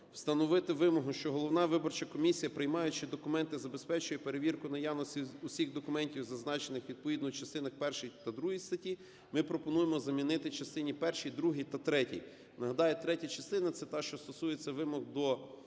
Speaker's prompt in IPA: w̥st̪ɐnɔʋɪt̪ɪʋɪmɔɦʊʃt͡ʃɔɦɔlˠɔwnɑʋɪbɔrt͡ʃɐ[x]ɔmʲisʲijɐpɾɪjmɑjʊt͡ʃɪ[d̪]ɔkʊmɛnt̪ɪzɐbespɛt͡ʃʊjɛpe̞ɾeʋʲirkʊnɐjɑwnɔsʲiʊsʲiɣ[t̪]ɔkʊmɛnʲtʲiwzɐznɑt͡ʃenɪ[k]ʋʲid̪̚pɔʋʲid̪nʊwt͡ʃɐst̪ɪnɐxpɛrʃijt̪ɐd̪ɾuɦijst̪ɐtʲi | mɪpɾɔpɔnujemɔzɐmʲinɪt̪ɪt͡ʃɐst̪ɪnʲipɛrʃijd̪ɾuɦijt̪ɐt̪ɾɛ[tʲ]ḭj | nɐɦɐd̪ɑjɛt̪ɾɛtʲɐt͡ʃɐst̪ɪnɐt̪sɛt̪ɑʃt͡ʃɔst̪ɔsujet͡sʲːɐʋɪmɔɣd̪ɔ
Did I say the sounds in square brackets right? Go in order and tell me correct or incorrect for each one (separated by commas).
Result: incorrect, correct, incorrect, incorrect, correct